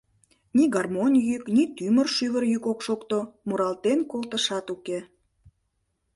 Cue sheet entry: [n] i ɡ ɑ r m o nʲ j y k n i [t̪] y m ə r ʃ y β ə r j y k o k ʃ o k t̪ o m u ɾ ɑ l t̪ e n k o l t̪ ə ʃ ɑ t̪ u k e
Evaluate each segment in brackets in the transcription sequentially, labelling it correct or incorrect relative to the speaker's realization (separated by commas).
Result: correct, correct